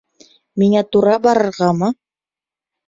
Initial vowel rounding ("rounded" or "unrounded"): unrounded